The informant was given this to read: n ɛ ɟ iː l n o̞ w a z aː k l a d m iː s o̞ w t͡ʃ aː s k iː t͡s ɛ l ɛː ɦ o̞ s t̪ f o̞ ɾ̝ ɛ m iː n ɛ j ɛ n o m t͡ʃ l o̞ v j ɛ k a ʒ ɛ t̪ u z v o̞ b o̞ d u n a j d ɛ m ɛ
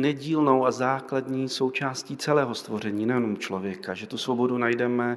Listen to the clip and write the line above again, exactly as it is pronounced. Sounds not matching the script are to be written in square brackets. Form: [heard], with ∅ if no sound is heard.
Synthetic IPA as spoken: n ɛ ɟ iː l n o̞ w a z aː k l a d [ɲ] iː s o̞ w t͡ʃ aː s [c] iː t͡s ɛ l ɛː ɦ o̞ s t̪ [v] o̞ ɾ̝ ɛ [ɲ] iː n ɛ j ɛ n o m t͡ʃ l o̞ v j ɛ k a ʒ ɛ t̪ u [s] v o̞ b o̞ d u n a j d ɛ m ɛ